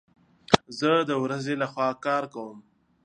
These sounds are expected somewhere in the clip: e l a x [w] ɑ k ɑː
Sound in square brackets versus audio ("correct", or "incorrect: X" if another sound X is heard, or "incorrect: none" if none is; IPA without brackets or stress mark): correct